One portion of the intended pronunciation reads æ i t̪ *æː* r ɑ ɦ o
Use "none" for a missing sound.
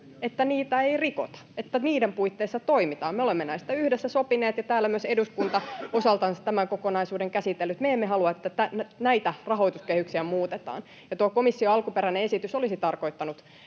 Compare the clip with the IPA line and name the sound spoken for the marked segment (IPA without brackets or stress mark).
æ